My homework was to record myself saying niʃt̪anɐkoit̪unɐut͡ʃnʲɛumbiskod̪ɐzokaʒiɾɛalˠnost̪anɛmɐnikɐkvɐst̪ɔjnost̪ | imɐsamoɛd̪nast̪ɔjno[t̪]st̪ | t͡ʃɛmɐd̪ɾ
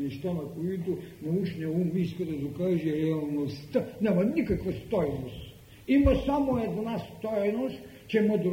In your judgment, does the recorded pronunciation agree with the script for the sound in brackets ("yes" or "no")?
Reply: no